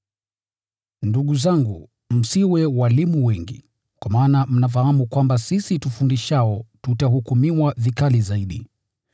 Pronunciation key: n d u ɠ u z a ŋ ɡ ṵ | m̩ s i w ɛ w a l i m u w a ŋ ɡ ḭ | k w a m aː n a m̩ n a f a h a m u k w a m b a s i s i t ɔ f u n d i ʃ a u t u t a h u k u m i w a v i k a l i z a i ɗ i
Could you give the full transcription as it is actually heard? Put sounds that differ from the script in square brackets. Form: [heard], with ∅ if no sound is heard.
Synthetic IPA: n d u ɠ u z a ŋ ɡ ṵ | m̩ s i w ɛ w a l i m u w [ɛ] ŋ ɡ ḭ | k w a m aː n a m̩ n a f a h a m u k w a m b a s i s i t [u] f u n d i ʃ a [ɔ] t u t a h u k u m i w a v i k a l i z a i ɗ i